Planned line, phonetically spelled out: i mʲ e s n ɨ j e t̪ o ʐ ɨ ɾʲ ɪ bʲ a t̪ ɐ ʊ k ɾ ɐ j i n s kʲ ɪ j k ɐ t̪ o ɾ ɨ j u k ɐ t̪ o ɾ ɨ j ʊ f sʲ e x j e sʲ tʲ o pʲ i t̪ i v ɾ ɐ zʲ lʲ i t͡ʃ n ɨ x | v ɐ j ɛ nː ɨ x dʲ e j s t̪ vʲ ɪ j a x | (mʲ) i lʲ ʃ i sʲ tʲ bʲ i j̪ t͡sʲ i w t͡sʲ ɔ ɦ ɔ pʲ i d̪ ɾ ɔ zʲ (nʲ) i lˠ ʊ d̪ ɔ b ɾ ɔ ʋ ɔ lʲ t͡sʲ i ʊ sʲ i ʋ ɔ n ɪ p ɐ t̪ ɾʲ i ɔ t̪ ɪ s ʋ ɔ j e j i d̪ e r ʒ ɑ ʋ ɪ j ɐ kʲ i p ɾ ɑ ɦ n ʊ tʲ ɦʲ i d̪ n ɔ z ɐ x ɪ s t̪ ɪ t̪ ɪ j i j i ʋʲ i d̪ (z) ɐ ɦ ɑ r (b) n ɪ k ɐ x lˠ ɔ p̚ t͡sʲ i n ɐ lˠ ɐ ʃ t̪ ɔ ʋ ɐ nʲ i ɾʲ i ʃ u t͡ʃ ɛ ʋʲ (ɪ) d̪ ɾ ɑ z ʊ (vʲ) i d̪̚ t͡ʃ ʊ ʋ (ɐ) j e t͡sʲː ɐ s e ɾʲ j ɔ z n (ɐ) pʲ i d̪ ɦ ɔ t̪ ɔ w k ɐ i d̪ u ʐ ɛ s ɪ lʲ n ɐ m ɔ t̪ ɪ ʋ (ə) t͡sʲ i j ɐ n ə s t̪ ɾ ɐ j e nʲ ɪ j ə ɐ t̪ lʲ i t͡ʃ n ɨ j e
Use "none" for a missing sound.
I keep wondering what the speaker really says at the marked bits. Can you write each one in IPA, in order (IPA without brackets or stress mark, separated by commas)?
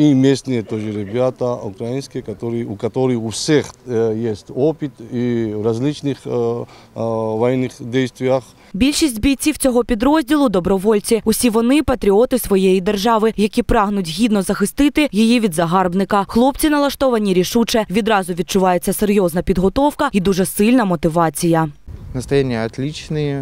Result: bʲ, dʲ, z, b, i, ʋʲ, ɑ, ɐ, ɑ